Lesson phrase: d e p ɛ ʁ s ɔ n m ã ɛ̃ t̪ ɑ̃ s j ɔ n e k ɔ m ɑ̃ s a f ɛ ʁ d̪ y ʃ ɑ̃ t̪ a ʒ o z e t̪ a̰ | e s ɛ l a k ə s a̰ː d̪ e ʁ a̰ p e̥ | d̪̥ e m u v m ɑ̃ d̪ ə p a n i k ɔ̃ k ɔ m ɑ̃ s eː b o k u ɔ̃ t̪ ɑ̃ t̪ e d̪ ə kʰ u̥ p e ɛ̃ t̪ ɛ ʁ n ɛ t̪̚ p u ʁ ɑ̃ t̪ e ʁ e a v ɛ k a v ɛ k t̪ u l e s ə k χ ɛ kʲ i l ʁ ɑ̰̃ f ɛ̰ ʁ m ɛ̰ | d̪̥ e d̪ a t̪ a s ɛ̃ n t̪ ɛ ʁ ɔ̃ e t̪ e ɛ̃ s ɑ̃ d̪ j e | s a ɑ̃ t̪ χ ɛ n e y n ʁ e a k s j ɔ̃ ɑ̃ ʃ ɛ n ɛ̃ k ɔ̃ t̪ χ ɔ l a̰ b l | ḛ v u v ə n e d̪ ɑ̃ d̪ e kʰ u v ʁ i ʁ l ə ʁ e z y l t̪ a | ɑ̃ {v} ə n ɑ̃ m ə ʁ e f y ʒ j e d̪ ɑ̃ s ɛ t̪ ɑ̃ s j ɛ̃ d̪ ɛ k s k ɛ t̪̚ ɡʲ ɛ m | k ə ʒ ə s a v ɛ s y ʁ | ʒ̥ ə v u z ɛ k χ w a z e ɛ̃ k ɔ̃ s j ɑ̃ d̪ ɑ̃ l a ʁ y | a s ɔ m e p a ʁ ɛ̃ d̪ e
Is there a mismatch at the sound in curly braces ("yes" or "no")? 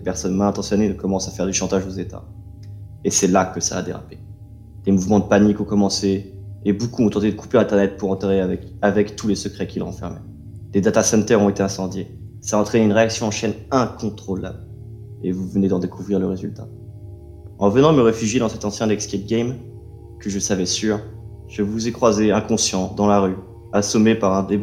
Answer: no